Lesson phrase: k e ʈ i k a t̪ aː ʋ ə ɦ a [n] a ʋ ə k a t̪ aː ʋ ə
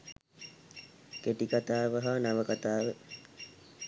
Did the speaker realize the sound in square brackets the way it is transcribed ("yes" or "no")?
yes